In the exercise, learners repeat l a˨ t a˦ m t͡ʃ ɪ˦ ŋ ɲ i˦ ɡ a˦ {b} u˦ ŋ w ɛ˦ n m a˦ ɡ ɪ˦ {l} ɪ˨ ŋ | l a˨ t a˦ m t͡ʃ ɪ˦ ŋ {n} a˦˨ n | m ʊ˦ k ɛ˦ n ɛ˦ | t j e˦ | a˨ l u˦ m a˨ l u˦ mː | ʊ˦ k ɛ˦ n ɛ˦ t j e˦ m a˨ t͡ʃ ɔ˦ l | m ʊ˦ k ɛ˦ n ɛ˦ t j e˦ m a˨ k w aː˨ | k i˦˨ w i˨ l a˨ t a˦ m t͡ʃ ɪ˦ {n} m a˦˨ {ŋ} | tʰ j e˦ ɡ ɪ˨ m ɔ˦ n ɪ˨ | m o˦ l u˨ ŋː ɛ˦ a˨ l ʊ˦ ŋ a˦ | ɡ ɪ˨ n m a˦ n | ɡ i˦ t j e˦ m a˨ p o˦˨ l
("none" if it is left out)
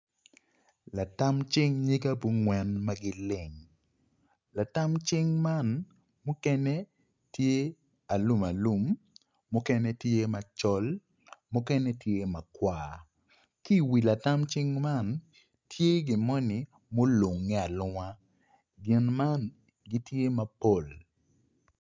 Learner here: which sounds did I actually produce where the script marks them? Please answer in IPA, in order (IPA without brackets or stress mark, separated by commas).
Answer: b, l, m, ŋ, n